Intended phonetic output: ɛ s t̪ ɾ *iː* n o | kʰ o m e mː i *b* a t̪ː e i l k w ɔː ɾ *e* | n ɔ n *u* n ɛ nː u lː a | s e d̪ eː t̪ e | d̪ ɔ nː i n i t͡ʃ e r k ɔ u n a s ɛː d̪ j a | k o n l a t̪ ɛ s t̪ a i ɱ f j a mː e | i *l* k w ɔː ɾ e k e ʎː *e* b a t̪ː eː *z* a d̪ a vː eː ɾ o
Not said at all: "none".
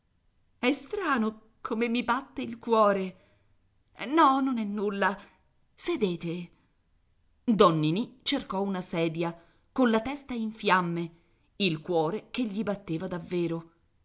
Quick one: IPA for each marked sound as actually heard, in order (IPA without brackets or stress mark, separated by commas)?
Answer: aː, b, e, o, l, i, v